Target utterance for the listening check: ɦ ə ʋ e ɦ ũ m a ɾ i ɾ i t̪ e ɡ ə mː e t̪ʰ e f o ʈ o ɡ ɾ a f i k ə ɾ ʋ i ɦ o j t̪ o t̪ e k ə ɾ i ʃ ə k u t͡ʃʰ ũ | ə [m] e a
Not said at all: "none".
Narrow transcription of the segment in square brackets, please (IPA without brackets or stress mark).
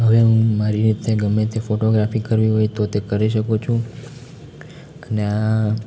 n